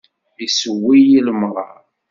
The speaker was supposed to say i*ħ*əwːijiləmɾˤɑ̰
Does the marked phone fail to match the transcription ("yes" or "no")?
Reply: yes